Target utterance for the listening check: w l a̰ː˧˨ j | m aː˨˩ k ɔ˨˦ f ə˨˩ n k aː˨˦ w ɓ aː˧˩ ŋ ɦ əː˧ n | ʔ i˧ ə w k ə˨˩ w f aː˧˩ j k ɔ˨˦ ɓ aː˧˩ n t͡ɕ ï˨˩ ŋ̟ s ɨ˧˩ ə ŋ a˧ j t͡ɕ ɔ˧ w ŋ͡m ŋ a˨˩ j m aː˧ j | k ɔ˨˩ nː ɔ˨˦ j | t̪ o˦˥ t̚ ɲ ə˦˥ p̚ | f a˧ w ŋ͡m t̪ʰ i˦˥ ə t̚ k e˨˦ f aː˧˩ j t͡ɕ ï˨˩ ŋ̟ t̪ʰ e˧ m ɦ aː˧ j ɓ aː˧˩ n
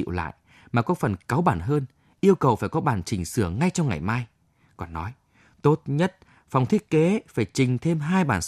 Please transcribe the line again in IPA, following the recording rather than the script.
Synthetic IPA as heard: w l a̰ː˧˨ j | m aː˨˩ k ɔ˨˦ f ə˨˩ n k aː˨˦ w ɓ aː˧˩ n ɦ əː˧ n | ʔ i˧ ə w k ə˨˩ w f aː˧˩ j k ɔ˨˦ ɓ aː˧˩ n t͡ɕ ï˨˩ ŋ̟ s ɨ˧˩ ə ŋ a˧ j t͡ɕ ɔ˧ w ŋ͡m ŋ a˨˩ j m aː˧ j | k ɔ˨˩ nː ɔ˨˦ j | t̪ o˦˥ t̚ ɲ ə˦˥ t̚ | f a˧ w ŋ͡m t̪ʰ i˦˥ ə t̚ k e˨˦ f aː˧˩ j t͡ɕ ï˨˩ ŋ̟ t̪ʰ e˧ m ɦ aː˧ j ɓ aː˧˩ n